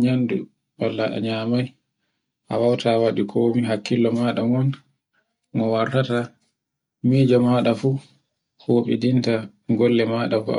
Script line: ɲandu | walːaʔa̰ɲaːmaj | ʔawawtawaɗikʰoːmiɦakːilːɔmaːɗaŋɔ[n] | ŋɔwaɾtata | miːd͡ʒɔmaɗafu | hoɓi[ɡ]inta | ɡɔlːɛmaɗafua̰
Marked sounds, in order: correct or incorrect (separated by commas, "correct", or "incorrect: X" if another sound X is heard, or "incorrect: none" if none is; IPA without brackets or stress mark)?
correct, incorrect: d